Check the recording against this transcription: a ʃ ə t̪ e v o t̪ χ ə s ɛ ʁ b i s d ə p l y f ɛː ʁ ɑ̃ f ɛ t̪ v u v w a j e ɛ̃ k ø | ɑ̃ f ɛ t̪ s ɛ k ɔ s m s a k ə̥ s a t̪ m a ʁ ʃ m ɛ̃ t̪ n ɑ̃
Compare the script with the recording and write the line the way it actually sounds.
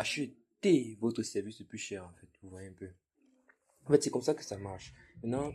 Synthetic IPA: a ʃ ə t̪ e v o t̪ χ ə s ɛ ʁ v i s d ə p l y ʃ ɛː ʁ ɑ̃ f ɛ t̪ v u v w a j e ɛ̃ p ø | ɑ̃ f ɛ t̪ s ɛ k ɔ m s a k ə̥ s a m a ʁ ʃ m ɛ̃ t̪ n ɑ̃